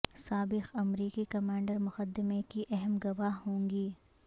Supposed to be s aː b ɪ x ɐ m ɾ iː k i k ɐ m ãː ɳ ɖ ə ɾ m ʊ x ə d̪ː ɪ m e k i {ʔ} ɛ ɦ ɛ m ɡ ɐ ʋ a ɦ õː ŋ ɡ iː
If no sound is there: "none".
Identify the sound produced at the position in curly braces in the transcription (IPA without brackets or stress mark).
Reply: ʔ